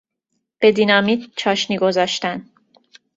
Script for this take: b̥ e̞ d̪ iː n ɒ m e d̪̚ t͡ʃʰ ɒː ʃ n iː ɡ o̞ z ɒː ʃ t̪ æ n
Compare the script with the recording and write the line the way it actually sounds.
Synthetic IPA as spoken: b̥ e̞ d̪ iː n ɒ m i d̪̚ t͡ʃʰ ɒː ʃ n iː ɡ o̞ z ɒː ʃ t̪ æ n